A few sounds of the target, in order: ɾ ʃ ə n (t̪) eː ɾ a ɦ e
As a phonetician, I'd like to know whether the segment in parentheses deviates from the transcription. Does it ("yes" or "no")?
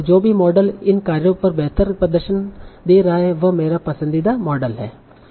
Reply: yes